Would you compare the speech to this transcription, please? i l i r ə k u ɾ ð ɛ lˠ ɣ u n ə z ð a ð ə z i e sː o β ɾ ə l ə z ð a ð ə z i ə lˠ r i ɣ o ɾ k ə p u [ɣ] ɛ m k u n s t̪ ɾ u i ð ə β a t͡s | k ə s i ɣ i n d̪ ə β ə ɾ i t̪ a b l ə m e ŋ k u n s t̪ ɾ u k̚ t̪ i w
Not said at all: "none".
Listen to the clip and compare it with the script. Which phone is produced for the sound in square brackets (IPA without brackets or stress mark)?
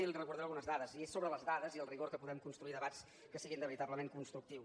ð